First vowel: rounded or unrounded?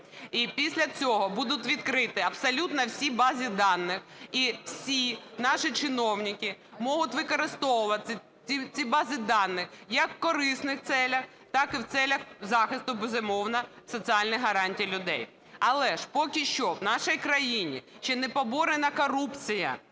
unrounded